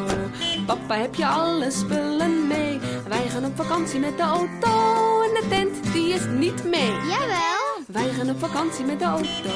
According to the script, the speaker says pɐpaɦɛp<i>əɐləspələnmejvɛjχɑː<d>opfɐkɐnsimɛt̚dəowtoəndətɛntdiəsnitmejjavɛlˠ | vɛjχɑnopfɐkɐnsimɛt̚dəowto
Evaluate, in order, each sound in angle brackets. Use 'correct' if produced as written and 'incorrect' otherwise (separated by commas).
incorrect, incorrect